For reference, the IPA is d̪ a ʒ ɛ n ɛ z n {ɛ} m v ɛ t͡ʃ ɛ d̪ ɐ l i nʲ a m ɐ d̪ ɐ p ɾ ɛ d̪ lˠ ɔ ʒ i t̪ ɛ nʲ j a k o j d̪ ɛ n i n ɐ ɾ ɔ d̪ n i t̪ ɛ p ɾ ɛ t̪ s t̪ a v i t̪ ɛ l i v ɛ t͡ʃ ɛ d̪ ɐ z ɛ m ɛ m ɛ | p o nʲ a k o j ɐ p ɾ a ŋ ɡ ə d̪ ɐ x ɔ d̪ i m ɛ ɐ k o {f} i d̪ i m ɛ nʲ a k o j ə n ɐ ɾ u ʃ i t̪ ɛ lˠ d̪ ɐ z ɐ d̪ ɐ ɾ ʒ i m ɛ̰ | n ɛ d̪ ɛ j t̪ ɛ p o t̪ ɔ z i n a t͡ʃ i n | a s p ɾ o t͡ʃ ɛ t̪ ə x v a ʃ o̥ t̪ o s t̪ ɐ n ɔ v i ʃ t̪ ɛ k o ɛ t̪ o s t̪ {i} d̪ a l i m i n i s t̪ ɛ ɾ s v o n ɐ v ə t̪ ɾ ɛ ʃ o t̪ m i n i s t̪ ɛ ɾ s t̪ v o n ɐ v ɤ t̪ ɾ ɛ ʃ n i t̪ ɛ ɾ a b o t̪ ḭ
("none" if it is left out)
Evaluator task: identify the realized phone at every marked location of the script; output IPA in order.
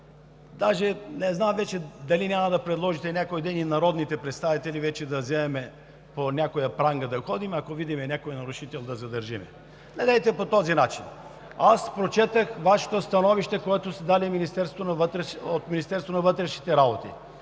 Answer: a, v, ɛ

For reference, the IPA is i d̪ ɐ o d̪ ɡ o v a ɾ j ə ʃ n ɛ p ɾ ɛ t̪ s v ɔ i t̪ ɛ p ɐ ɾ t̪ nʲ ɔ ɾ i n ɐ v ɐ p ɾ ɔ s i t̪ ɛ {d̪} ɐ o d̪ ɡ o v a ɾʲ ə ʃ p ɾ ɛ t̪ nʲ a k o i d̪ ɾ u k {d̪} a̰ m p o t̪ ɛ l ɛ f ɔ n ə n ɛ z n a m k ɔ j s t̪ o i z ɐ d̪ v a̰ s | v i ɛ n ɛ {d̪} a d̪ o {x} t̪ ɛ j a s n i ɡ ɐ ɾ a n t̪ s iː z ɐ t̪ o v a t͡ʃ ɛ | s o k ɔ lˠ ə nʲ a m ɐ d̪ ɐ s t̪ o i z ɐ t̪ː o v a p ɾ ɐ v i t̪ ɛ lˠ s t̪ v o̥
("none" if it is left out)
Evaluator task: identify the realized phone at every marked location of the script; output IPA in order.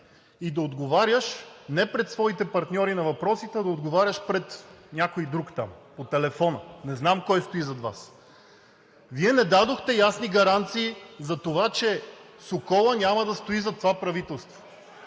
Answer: d̪, t̪, d̪, x

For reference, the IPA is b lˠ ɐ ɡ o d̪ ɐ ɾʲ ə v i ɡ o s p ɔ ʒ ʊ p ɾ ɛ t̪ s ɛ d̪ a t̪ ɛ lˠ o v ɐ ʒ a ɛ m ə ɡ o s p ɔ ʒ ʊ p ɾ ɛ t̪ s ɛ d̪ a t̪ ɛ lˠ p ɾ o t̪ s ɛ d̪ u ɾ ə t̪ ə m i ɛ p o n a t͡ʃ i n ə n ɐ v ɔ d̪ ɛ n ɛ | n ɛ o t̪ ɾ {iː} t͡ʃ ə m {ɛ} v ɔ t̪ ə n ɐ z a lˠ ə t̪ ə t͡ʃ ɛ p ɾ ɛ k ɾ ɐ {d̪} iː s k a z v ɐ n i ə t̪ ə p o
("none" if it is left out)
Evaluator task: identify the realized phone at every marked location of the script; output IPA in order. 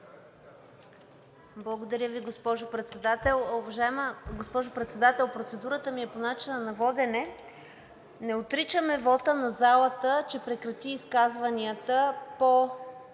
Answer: i, ɛ, t̪

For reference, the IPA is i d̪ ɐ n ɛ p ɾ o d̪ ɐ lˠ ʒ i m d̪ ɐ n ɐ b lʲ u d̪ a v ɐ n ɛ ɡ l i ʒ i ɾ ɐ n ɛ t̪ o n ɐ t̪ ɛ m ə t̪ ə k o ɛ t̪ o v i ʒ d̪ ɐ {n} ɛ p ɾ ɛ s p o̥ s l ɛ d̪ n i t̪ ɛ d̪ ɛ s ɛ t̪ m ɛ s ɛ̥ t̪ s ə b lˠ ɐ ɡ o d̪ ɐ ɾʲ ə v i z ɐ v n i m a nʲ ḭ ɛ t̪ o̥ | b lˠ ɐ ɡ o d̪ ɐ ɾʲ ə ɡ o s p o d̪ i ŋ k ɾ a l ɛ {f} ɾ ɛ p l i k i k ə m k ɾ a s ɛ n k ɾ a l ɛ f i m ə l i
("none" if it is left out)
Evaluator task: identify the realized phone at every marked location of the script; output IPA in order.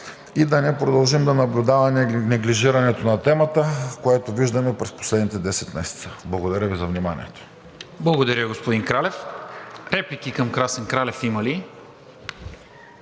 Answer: m, f

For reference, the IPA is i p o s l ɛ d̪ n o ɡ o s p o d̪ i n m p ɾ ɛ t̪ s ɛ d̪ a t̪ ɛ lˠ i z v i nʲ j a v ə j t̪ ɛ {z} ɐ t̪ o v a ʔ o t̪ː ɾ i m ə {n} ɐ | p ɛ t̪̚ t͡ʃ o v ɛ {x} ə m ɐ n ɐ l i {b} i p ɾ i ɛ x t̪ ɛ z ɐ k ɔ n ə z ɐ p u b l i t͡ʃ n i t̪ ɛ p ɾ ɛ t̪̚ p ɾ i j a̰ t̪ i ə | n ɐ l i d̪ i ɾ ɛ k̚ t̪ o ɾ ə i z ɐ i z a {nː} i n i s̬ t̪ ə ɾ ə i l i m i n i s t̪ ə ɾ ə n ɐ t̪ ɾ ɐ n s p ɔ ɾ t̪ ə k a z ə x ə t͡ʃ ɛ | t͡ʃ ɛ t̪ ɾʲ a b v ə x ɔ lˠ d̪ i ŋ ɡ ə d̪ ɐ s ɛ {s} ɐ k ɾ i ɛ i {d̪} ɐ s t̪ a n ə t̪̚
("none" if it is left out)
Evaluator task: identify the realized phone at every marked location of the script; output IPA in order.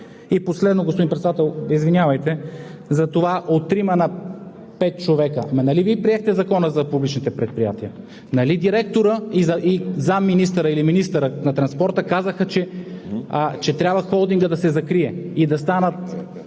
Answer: z, n, k, v, mː, z, d̪

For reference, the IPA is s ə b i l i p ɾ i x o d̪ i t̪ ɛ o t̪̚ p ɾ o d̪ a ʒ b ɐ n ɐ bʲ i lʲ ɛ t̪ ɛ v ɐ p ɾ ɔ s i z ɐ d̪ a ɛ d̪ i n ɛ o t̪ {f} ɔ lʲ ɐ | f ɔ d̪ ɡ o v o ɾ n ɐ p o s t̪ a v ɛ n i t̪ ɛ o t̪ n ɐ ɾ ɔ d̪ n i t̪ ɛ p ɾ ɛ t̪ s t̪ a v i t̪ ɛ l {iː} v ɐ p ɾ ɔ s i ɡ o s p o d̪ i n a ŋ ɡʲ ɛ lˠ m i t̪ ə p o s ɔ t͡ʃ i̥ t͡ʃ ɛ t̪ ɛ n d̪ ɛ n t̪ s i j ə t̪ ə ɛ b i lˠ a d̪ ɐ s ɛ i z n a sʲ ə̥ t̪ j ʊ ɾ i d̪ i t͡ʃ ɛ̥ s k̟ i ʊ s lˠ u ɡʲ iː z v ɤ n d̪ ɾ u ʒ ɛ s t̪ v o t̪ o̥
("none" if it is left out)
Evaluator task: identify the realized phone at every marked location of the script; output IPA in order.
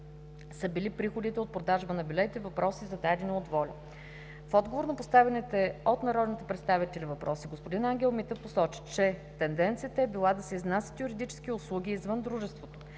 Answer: v, i

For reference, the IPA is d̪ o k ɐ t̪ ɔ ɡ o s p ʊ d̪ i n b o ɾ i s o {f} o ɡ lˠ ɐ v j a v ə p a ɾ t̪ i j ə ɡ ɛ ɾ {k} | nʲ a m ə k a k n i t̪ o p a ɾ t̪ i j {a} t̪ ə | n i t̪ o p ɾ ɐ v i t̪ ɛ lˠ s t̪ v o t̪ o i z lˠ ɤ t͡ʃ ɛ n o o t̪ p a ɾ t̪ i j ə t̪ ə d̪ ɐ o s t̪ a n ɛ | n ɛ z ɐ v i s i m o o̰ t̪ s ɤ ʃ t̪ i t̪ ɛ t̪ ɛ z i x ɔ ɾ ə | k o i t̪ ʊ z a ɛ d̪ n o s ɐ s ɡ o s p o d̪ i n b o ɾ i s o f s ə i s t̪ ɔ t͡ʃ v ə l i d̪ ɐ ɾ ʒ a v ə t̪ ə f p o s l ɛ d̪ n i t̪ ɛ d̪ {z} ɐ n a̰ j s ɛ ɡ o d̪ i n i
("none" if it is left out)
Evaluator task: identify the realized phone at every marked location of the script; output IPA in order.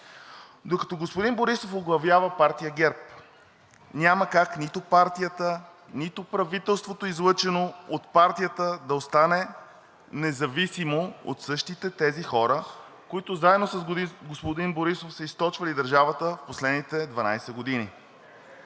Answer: f, p, ə, v

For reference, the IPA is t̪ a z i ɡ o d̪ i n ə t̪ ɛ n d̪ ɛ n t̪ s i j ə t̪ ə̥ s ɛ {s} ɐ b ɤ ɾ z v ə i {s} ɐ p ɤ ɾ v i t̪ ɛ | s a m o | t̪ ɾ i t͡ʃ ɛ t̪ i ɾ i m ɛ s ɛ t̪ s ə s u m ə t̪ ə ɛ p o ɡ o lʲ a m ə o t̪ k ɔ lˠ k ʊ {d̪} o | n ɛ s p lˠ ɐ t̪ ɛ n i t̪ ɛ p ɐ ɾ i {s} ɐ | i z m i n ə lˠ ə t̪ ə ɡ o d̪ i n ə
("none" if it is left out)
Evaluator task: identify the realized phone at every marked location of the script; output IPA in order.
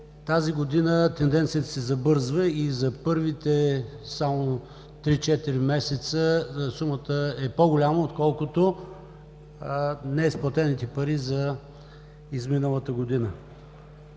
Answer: z, z, t̪, z

